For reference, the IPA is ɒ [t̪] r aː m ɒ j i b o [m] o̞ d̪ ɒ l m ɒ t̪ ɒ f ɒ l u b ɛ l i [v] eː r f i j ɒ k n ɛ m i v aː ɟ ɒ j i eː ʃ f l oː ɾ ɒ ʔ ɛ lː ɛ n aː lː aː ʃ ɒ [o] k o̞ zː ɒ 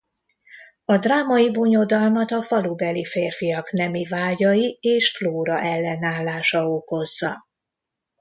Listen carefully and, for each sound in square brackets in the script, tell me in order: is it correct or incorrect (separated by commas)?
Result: incorrect, incorrect, incorrect, correct